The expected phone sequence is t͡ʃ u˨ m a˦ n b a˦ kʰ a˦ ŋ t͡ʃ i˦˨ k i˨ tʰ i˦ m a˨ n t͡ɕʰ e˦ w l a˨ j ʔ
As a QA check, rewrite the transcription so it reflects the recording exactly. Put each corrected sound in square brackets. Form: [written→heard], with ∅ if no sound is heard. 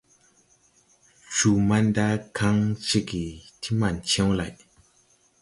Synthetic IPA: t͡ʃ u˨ m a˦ n [b→d] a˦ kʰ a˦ ŋ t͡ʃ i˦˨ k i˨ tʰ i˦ m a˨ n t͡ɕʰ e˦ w l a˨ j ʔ